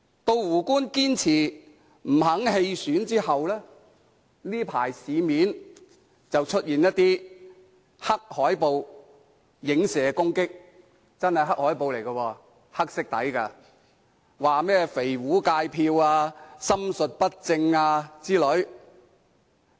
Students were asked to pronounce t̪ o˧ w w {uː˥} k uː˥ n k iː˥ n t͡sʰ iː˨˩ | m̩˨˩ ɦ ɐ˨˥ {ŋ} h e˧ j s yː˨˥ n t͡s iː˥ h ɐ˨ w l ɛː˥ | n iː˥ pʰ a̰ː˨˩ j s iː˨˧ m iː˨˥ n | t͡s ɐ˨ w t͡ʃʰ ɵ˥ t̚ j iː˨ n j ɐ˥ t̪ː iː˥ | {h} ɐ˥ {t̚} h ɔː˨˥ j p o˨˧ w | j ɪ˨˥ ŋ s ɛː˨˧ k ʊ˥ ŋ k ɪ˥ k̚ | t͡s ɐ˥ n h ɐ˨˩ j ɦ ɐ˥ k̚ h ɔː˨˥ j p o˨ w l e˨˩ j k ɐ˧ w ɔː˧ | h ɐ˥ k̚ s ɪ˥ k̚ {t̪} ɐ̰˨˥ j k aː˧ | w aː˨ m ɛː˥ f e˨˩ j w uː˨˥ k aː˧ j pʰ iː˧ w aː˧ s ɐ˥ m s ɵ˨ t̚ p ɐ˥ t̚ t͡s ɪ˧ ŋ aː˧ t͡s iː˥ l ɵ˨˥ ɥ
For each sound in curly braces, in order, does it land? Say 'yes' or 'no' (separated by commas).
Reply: no, yes, yes, no, yes